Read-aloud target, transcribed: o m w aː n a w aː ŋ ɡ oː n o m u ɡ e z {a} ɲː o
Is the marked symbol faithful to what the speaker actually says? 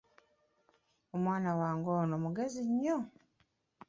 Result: no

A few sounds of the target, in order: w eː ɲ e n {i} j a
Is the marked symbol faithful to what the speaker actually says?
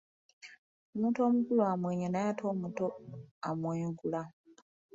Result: no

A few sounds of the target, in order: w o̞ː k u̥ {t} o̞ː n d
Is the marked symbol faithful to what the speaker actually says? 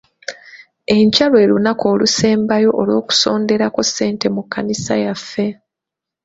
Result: no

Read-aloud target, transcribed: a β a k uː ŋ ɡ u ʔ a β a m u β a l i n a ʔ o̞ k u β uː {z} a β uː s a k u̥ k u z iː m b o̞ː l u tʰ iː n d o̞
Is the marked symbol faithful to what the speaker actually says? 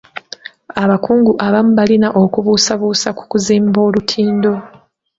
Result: no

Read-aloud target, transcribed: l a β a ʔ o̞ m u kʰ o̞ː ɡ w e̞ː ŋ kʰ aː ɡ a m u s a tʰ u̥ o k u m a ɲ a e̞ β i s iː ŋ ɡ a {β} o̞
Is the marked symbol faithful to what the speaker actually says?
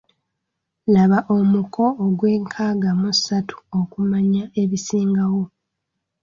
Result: no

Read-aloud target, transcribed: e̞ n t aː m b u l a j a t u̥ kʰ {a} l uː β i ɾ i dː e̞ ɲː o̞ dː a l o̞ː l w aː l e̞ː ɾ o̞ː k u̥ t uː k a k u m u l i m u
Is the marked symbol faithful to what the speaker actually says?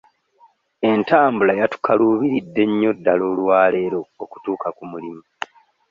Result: yes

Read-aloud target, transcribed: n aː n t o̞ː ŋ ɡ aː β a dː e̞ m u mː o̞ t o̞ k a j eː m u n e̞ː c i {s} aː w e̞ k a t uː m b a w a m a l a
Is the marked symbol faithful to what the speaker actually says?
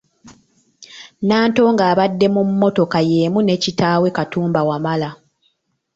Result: no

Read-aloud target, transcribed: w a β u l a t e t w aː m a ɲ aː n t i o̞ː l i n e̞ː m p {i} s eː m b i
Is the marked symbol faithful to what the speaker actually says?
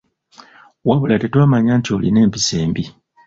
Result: yes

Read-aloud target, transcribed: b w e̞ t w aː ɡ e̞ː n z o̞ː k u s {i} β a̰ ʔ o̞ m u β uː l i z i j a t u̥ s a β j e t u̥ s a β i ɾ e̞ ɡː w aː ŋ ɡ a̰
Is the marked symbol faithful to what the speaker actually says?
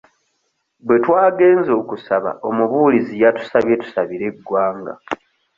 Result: no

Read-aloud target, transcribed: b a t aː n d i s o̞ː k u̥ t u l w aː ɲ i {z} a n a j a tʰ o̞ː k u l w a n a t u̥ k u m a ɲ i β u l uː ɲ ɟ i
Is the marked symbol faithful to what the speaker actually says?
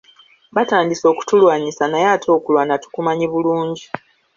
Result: no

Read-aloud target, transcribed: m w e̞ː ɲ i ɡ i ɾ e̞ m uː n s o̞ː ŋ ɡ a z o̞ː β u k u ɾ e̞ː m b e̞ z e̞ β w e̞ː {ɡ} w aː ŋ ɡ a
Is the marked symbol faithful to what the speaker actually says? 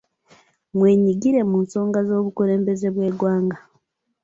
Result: yes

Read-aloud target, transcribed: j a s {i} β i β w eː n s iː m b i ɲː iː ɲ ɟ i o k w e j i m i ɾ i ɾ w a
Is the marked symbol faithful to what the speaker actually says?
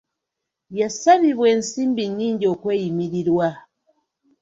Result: no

